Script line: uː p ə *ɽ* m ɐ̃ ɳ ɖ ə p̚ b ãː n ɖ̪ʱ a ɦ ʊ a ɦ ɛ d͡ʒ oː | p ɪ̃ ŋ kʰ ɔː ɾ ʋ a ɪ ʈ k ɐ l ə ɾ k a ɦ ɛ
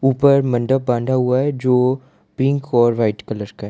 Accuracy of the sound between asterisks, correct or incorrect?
incorrect